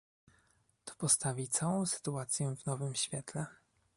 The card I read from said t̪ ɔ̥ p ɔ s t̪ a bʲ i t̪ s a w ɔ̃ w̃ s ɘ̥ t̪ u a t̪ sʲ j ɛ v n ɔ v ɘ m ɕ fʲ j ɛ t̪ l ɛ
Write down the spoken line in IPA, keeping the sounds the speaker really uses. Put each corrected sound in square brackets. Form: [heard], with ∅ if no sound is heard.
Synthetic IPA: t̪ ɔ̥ p ɔ s t̪ a [vʲ] i t̪ s a w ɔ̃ w̃ s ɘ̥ t̪ u a t̪ sʲ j ɛ v n ɔ v ɘ m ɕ fʲ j ɛ t̪ l ɛ